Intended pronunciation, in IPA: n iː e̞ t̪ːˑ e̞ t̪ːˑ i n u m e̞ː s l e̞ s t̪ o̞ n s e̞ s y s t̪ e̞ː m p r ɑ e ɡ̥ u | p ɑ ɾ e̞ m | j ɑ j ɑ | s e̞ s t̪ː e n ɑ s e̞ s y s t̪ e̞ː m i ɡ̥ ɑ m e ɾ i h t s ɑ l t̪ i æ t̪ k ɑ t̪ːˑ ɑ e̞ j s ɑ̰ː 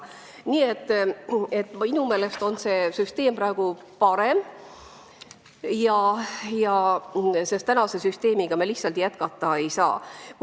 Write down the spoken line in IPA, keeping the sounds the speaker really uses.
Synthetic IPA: n iː e̞ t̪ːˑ e̞ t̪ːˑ i n u m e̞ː l e̞ s t̪ o̞ n s e̞ s y s t̪ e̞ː m p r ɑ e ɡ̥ u | p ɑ ɾ e̞ m | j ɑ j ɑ | s e̞ s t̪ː æ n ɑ s e̞ s y s t̪ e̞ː m i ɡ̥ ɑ m e l i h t s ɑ l t̪ j æ t̪ k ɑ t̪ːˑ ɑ e̞ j s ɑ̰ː

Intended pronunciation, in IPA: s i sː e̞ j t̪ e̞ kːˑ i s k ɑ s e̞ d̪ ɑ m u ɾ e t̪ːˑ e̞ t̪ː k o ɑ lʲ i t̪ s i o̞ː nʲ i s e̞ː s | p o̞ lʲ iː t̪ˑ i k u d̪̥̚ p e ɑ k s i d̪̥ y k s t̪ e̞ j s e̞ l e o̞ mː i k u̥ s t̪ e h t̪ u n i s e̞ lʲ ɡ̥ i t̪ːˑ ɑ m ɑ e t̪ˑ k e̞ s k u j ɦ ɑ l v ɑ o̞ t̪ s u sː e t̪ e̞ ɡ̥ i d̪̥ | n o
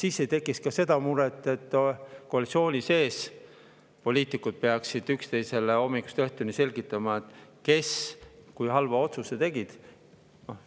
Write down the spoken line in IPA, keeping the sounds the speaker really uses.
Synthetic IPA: s i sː e̞ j t̪ e̞ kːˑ i s k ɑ s e̞ d̪ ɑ m u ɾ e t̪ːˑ e̞ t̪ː k o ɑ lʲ i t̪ s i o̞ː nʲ i s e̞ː s | p o̞ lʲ iː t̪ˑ i k u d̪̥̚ p e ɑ k s i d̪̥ y k s t̪ e̞ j s e̞ l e o̞ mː i k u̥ s t̪ e h t̪ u n i s e̞ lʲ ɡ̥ i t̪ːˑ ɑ m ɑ e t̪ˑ k e̞ s k u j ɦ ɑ l v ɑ o̞ t̪ s u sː e t̪ e̞ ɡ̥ i d̪̥ | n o

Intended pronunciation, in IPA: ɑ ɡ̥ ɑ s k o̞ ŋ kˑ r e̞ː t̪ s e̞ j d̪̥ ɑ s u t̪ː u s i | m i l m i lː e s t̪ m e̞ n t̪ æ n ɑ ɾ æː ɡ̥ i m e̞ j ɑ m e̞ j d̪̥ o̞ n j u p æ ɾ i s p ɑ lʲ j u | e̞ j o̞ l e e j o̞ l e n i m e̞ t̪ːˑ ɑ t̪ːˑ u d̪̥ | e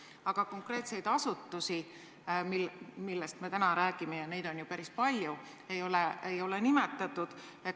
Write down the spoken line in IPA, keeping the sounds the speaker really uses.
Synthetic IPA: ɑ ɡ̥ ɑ k o̞ ŋ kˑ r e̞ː t̪ s e̞ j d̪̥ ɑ s u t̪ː u s i | m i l m i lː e s t̪ m e̞ t̪ æ n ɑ ɾ æː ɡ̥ i m e̞ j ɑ n e̞ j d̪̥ o̞ n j u p æ ɾ i s p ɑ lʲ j u | e̞ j o̞ l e e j o̞ l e n i m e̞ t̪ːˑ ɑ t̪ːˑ u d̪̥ | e

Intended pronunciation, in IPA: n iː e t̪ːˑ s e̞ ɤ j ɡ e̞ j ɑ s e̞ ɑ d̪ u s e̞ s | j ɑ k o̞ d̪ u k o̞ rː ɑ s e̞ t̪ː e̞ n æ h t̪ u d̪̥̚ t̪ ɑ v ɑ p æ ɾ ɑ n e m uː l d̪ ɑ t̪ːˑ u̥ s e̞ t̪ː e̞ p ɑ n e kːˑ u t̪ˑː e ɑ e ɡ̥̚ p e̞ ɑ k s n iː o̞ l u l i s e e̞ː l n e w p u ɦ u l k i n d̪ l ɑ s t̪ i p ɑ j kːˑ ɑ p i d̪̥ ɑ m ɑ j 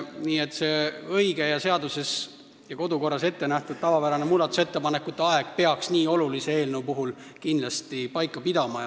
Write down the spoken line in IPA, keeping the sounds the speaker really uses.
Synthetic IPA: n iː e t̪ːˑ s e̞ ɤ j ɡ e̞ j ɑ s e̞ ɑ d̪ u s e̞ s | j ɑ k o̞ d̪ u k o̞ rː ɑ s e̞ t̪ː e̞ n æ h t̪ u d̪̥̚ t̪ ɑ v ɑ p æ ɾ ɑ n e m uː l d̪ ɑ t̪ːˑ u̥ s e̞ t̪ː e̞ p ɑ n e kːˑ u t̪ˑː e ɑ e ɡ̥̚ p e̞ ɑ k s n iː o̞ l u l i s e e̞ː l n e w p u ɦ u l k i n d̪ l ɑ s t̪ i p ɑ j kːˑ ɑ p i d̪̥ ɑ m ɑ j

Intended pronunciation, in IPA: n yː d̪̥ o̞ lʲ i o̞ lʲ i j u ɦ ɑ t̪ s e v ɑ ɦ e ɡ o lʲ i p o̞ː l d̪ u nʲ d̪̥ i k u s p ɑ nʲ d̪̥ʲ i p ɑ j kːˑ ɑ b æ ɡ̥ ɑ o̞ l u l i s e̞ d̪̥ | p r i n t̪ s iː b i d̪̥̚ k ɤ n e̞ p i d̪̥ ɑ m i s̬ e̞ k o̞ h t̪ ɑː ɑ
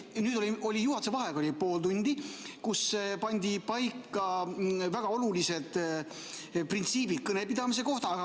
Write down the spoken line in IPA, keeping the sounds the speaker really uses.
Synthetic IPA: n yː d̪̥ o̞ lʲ i o̞ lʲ i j u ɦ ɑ t̪ s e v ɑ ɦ e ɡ o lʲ i p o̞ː l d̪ u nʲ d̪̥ i k u s p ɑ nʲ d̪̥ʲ i p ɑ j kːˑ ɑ v æ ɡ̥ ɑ o̞ l u l i s e̞ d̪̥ | p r i n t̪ s iː b i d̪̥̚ k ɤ n e̞ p i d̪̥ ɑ m i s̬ e̞ k o̞ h t̪ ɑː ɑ

